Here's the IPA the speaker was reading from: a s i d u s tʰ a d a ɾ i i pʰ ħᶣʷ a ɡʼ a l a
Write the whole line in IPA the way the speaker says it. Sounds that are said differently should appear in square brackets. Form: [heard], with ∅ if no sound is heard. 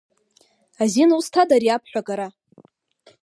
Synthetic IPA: a [z] i [n] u s tʰ a d a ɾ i [a] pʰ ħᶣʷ a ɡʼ a [ɾ] a